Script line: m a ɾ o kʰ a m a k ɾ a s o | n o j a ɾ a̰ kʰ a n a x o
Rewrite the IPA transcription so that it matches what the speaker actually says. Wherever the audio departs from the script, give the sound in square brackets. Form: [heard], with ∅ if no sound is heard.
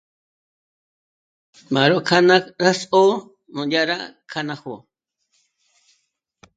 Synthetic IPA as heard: m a ɾ o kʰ a [n] a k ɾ a s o | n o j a ɾ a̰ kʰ a n a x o